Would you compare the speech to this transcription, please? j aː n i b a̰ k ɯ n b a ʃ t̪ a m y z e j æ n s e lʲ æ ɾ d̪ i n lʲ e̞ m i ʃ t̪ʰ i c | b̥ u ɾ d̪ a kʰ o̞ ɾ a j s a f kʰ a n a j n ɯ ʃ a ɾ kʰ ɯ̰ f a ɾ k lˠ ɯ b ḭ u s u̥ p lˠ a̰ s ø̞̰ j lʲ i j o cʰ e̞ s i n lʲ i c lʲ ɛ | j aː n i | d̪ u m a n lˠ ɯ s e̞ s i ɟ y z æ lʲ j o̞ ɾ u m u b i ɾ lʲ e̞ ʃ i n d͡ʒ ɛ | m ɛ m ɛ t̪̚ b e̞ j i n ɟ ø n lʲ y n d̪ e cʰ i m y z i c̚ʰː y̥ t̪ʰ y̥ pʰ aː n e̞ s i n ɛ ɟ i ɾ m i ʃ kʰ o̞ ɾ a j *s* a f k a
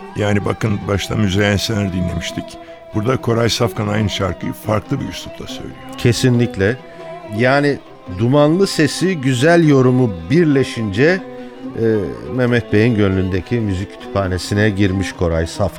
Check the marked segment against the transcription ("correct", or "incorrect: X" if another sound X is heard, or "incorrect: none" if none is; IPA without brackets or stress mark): correct